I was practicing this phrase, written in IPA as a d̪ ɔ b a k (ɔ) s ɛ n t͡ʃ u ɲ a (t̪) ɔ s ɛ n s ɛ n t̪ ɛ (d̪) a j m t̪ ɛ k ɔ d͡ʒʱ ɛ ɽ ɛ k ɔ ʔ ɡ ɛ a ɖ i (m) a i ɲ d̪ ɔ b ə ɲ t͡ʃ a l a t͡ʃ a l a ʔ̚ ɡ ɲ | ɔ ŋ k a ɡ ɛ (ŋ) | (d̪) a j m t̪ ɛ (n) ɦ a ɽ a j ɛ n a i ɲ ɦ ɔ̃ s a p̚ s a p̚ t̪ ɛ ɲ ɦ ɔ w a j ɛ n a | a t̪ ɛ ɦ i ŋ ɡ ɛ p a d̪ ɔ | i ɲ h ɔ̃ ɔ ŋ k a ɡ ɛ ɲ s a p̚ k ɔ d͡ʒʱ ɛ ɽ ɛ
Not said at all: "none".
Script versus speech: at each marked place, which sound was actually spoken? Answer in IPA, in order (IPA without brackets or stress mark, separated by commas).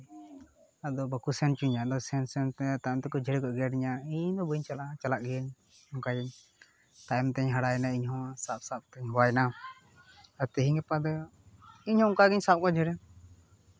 u, d̪, t̪, ɲ, ɲ, t̪, ɲ